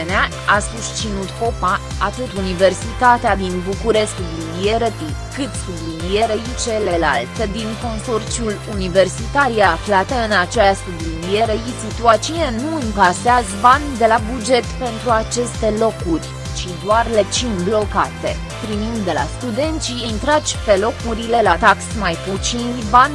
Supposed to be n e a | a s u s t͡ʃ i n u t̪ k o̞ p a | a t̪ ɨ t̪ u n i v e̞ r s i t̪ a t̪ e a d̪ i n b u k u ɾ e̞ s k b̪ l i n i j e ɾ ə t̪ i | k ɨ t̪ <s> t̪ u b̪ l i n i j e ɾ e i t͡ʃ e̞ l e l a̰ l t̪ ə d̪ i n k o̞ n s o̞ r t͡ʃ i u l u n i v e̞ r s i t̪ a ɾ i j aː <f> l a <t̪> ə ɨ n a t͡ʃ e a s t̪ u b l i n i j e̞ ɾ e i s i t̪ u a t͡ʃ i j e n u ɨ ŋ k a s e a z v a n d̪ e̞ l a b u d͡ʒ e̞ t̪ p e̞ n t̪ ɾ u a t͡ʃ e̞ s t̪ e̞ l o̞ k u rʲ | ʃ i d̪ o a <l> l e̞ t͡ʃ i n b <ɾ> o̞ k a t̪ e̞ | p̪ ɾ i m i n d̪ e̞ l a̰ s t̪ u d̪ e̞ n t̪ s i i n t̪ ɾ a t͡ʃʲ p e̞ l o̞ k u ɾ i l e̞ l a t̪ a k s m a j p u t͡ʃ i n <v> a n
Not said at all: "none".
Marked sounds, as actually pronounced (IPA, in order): s, f, t̪, r, l, v

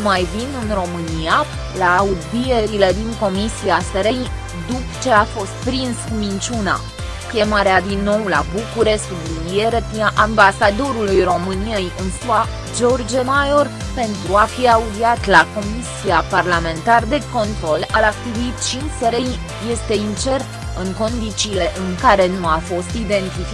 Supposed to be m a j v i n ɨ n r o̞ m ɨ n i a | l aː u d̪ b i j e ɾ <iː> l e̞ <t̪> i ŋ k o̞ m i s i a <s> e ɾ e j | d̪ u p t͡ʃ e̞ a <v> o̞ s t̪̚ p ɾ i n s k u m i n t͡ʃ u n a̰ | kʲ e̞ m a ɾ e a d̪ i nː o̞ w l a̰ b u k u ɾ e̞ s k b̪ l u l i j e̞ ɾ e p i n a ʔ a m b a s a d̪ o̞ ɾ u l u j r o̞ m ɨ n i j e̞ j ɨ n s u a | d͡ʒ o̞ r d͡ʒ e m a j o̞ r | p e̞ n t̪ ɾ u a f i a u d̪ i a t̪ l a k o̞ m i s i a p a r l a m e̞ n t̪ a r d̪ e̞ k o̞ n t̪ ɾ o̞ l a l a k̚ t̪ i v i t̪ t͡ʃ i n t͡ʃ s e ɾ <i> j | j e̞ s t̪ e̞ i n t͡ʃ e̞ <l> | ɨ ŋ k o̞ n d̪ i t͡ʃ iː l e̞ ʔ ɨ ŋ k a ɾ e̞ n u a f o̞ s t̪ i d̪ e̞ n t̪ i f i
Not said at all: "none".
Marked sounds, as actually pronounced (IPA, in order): i, d̪, s, f, e, r

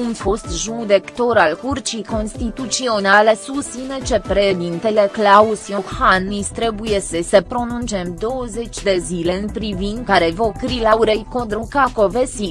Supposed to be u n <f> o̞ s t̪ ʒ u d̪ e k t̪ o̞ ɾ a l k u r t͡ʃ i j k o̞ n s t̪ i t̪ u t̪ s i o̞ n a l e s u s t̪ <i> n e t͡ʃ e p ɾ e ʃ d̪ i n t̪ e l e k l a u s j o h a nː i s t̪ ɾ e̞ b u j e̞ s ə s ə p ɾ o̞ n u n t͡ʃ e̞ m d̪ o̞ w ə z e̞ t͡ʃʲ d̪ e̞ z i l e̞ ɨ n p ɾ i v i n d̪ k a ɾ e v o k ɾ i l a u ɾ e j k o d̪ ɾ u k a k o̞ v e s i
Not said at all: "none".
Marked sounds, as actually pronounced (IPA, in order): f, i

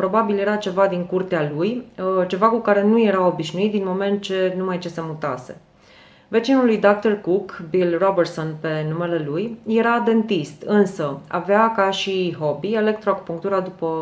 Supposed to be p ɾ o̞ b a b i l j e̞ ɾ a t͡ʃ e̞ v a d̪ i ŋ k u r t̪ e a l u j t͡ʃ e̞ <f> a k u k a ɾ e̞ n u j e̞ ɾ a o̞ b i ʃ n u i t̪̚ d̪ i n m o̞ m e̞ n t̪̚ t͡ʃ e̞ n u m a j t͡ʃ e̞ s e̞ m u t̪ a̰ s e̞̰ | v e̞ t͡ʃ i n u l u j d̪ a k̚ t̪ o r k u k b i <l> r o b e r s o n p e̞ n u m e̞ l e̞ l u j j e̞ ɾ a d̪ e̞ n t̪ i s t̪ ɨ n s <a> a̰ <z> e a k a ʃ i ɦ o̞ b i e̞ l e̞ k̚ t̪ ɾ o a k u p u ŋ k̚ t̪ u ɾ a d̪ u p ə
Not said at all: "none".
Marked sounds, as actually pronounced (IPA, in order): v, l, ə, v

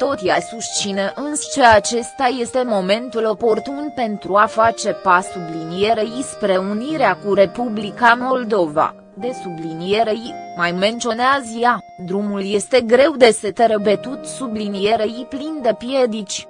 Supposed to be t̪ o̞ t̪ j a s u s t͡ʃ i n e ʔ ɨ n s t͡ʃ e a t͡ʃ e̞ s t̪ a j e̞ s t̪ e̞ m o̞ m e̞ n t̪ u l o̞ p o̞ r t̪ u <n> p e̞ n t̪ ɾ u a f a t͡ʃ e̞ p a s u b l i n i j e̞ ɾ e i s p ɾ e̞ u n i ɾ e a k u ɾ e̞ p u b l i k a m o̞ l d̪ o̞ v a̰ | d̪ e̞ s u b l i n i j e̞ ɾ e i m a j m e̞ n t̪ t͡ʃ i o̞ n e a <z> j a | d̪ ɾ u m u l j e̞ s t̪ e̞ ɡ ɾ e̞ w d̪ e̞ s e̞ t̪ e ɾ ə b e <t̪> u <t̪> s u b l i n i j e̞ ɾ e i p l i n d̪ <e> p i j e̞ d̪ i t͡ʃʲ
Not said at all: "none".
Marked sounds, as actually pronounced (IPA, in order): n, z, t̪, t̪, e

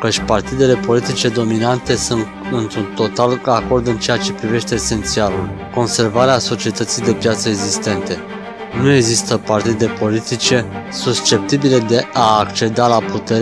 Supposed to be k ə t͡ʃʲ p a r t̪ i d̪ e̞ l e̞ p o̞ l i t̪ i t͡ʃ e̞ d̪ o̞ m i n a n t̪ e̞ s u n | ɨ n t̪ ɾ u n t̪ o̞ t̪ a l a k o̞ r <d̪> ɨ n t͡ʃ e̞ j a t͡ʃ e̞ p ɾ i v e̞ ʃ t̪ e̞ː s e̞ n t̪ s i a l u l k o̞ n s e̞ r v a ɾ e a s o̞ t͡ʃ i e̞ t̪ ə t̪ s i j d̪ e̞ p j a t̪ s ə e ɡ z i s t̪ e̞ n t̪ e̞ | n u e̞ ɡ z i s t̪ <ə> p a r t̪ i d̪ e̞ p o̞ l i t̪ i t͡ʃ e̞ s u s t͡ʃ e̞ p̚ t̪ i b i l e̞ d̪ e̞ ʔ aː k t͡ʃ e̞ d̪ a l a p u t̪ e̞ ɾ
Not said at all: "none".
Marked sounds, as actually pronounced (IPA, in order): d̪, ə

